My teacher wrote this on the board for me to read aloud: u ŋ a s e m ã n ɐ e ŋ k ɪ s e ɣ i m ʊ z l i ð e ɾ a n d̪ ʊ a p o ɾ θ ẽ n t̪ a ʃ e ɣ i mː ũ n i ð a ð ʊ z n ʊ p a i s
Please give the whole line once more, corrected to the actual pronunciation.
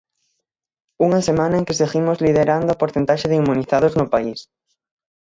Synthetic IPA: u ŋ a s e m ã n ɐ e ŋ k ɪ s e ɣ i m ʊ z l i ð e ɾ a n d̪ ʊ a p o ɾ θ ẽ n t̪ a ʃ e ð i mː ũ n i θ a ð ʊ z n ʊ p a i s